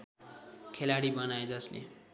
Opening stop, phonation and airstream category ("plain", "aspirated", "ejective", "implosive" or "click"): aspirated